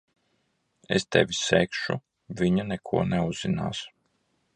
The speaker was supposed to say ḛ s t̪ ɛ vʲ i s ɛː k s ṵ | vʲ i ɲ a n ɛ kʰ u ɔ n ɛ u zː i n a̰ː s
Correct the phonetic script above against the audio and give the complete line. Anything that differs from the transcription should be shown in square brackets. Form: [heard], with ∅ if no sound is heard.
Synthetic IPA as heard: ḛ s t̪ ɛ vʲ i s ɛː k [ʃ] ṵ | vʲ i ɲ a n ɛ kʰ u ɔ n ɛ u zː i n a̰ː s